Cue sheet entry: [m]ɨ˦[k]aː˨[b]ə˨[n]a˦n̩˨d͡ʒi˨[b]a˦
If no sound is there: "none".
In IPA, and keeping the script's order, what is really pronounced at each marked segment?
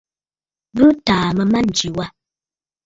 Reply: b, t, m, m, w

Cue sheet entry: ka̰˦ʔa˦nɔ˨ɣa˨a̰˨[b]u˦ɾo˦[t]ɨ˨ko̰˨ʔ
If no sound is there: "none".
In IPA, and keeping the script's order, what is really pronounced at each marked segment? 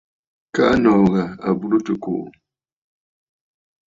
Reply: b, t

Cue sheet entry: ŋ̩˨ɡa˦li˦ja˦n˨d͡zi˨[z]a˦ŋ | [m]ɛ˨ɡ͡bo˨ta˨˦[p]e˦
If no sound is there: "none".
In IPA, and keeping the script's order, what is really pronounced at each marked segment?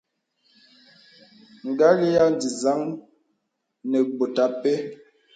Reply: z, n, p

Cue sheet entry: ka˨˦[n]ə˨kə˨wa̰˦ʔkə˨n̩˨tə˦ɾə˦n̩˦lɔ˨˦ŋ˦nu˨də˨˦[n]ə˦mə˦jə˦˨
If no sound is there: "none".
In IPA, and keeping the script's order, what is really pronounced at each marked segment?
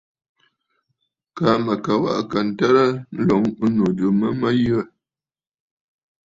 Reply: m, m

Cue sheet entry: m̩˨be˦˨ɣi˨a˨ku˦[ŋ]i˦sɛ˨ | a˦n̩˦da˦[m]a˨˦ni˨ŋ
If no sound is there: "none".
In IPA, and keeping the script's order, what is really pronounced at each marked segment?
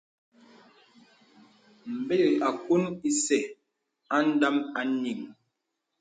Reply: n, m

